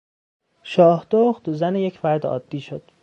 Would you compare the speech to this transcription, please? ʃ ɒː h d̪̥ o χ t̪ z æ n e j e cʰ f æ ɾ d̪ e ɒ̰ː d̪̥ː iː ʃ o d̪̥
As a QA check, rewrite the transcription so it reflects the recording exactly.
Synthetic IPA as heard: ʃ ɒː h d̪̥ o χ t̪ z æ n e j e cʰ f æ ɾ d̪ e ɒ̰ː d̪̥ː iː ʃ o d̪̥

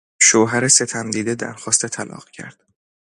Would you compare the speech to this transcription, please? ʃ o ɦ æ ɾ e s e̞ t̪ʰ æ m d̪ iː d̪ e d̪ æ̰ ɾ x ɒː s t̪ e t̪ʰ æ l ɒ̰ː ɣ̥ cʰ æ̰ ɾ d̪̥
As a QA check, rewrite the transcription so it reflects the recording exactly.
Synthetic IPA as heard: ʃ o ɦ æ ɾ e s e̞ t̪ʰ æ m d̪ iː d̪ e d̪ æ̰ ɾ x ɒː s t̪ e t̪ʰ æ l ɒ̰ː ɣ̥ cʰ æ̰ ɾ d̪̥

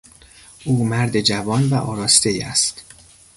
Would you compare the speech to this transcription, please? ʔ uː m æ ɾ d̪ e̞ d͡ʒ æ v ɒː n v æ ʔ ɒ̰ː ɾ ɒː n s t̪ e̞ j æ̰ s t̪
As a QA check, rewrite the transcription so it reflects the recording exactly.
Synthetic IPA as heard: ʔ uː m æ ɾ d̪ e̞ d͡ʒ æ v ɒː n v æ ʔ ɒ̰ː ɾ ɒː s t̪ e̞ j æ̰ s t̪

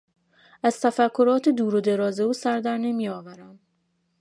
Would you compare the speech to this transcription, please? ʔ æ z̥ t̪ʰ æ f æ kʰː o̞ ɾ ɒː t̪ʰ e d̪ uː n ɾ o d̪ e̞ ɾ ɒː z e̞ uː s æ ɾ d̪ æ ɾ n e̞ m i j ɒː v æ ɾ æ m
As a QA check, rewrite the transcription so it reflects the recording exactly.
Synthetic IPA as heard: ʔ æ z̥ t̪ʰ æ f æ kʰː o̞ ɾ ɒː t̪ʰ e d̪ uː ɾ o d̪ e̞ ɾ ɒː z e̞ uː s æ ɾ d̪ æ ɾ n e̞ m i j ɒː v æ ɾ æ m

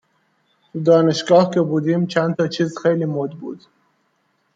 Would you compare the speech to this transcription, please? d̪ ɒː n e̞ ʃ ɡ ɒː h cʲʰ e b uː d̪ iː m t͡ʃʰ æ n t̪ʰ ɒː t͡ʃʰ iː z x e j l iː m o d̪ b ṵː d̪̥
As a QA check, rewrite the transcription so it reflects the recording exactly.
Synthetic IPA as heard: d̪ ɒː n e̞ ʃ ɡ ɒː h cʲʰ e b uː d̪ iː m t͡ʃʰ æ n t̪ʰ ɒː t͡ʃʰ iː z x e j l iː m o d̪ b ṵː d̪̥

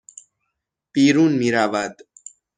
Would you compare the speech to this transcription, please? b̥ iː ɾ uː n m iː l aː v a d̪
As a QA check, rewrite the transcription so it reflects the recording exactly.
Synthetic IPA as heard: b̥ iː ɾ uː n m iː ɾ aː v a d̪

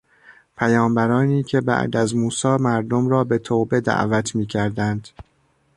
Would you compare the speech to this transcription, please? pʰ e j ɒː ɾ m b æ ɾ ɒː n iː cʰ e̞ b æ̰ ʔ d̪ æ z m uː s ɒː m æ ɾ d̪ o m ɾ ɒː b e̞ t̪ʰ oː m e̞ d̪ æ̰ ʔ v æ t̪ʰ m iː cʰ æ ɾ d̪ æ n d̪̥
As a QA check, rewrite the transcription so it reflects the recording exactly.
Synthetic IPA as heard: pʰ æ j ɒː m b æ ɾ ɒː n iː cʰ e̞ b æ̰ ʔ d̪ æ z m uː s ɒː m æ ɾ d̪ o m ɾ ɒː b e̞ t̪ʰ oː b e̞ d̪ æ̰ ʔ v æ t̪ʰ m iː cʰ æ ɾ d̪ æ n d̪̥

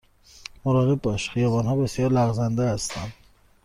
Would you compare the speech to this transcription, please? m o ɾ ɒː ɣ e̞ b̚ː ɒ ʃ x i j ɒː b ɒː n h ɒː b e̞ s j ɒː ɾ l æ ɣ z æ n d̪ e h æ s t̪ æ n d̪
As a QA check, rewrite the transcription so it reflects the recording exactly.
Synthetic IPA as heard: m o ɾ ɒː ɣ e̞ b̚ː ɒ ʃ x i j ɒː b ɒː n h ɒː b e̞ s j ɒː ɾ l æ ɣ z æ n d̪ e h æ s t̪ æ n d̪

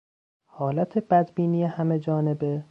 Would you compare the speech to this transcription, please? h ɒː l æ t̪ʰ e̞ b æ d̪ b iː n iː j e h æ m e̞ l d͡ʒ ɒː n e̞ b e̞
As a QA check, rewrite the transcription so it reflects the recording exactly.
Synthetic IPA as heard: h ɒː l æ t̪ʰ e̞ b æ d̪ b iː n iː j e h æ m e̞ d͡ʒ ɒː n e̞ b e̞

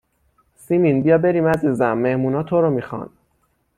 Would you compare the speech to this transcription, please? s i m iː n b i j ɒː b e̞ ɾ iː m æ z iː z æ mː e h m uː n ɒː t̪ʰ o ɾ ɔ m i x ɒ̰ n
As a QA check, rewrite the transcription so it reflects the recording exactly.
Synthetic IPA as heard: s i m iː n b i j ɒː b e̞ ɾ iː m æ z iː z æ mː e h m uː n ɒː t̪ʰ o ɾ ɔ m i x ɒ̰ n

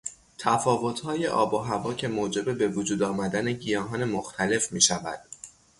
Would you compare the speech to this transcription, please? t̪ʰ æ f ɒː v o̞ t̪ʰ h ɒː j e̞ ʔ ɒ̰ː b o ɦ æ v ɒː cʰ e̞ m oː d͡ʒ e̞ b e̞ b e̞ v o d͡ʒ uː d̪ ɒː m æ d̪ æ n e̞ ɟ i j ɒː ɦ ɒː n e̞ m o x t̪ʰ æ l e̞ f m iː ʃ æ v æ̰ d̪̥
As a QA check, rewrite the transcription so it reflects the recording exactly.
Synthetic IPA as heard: t̪ʰ æ f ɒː v o̞ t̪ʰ h ɒː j e̞ ʔ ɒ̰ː b o ɦ æ v ɒː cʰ e̞ m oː d͡ʒ e̞ b e̞ b e̞ v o d͡ʒ uː d̪ ɒː m æ d̪ æ n e̞ ɟ i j ɒː ɦ ɒː n e̞ m o x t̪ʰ æ l e̞ f m iː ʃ æ v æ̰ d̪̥

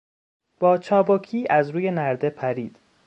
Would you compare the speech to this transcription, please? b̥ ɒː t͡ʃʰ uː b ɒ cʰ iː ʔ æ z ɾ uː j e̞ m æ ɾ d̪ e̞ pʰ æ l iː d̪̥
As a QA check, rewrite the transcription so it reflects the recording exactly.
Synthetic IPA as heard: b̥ ɒː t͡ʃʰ ɒː b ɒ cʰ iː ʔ æ z ɾ uː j e̞ n æ ɾ d̪ e̞ pʰ æ ɾ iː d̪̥

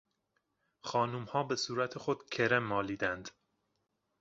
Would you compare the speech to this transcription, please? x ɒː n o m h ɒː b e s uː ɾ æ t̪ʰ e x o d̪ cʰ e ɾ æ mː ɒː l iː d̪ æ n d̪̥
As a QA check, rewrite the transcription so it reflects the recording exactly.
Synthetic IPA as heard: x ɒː n u m h ɒː b e s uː ɾ æ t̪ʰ e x o d̪ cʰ e ɾ e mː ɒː l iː d̪ æ n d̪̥

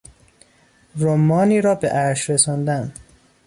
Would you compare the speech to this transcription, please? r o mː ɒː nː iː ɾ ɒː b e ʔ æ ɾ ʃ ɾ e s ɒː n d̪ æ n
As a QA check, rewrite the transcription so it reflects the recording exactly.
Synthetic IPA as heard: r o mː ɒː n iː ɾ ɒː b e ʔ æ ɾ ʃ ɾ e s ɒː n d̪ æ n

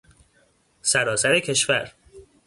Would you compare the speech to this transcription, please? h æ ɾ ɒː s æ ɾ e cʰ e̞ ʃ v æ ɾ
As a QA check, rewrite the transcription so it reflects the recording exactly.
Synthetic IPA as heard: s æ ɾ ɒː s æ ɾ e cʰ e̞ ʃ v æ ɾ

